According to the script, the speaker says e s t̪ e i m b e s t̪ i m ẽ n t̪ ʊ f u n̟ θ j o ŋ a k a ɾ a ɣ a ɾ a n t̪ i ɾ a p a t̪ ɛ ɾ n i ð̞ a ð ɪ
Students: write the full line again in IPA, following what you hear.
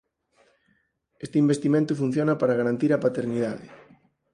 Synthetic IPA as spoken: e s t̪ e i m b e s t̪ i m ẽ n t̪ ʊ f u n̟ θ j o n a p a ɾ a ɣ a ɾ a n t̪ i ɾ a p a t̪ e ɾ n i ð̞ a ð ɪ